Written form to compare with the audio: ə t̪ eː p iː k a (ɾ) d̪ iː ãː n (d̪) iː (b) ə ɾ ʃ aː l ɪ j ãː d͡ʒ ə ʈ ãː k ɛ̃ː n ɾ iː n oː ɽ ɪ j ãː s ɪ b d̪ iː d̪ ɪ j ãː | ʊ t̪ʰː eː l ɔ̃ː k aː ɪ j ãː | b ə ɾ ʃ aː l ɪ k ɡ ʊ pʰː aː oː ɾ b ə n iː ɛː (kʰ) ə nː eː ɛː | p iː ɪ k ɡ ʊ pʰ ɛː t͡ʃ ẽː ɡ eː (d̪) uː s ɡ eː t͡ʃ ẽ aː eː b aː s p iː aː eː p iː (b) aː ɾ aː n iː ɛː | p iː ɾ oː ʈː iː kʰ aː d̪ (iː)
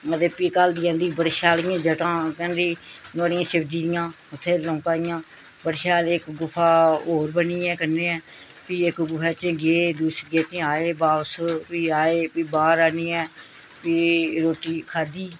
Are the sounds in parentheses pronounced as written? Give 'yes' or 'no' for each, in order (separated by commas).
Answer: no, yes, yes, no, yes, yes, yes